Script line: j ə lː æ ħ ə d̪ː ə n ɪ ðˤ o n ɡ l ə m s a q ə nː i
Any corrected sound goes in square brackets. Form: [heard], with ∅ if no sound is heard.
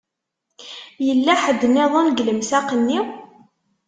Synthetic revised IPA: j ə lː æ ħ ə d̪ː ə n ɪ ðˤ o n ɡ l ə m s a q ə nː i